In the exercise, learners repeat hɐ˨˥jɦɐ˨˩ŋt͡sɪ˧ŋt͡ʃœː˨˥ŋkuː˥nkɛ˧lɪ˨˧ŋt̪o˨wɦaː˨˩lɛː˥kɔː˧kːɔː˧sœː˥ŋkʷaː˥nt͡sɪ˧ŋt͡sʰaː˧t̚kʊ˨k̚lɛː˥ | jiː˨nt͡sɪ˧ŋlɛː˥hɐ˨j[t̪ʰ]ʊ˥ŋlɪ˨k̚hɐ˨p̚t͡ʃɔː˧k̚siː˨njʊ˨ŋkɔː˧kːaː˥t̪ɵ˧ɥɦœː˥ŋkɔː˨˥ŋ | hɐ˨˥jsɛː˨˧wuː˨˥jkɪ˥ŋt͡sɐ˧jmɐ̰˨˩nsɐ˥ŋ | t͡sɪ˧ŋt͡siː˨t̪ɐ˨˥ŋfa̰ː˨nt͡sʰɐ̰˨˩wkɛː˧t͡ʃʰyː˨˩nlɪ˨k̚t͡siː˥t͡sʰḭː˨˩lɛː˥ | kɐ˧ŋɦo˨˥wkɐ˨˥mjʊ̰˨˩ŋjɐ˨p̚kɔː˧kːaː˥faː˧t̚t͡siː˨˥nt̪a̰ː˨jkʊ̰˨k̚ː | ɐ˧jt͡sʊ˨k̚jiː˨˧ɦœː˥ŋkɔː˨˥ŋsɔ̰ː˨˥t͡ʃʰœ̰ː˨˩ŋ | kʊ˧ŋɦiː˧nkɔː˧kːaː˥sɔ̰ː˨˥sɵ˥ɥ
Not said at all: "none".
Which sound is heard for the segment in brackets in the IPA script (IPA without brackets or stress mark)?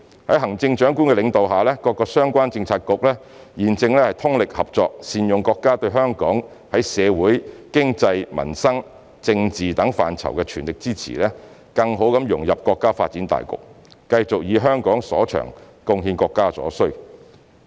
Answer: t̪ʰ